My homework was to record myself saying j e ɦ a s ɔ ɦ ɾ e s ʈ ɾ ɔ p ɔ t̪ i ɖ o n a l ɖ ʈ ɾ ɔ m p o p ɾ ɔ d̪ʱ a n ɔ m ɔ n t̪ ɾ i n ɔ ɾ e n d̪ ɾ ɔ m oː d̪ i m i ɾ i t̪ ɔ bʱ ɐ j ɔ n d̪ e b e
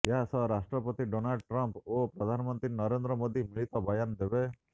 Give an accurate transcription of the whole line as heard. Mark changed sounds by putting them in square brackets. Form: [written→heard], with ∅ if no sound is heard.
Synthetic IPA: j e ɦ a s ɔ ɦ ɾ [e→a] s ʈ ɾ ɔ p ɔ t̪ i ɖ o n a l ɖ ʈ ɾ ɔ m p o p ɾ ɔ d̪ʱ a n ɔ m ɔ n t̪ ɾ i n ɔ ɾ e n d̪ ɾ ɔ m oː d̪ i m i [ɾ→ɭ] i t̪ ɔ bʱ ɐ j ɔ n d̪ e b e